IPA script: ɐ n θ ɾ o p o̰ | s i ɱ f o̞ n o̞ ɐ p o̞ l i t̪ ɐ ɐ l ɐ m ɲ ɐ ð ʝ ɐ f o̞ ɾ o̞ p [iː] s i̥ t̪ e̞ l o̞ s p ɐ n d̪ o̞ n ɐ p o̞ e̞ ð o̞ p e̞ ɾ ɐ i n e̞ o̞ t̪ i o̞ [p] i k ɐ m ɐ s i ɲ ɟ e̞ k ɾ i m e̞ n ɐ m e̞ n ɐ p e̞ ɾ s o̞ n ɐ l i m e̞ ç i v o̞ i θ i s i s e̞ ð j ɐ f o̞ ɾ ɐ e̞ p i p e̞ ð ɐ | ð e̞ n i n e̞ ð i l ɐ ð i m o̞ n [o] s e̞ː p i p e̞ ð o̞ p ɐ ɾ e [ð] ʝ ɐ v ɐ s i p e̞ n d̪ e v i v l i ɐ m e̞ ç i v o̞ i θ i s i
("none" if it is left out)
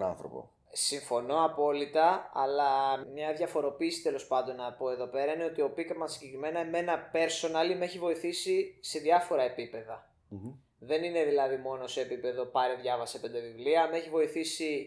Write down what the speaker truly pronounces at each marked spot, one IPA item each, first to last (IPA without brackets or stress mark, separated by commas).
iː, p, o, ð